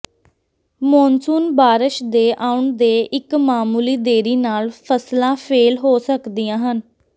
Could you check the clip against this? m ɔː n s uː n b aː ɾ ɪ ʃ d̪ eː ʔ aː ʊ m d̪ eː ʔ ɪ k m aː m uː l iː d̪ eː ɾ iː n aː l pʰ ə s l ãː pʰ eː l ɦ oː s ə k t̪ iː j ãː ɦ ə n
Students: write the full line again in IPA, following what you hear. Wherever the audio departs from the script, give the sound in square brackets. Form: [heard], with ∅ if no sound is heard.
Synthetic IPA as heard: m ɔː n s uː n b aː ɾ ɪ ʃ d̪ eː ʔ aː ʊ [ɳ] d̪ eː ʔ ɪ k m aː m uː l iː d̪ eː ɾ iː n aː l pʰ ə s l ãː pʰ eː l ɦ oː s ə k [d̪] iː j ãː ɦ ə n